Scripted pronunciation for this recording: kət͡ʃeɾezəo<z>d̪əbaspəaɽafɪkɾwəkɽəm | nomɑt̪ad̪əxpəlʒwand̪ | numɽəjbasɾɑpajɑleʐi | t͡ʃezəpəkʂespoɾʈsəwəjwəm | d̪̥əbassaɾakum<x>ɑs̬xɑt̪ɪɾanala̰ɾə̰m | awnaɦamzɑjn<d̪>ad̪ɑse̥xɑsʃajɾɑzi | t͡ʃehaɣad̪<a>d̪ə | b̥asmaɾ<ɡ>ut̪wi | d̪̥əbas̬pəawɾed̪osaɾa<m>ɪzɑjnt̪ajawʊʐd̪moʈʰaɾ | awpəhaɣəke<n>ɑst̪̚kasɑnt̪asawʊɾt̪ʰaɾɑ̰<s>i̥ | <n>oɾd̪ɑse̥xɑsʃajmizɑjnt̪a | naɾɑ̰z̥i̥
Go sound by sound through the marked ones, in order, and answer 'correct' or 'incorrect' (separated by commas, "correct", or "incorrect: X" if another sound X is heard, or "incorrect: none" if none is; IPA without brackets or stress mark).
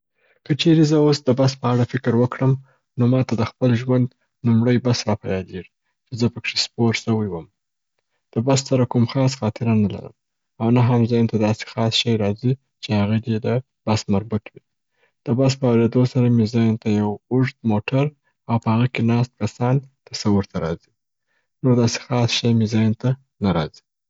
incorrect: s, correct, incorrect: t̪, incorrect: e, incorrect: b, correct, correct, incorrect: z, correct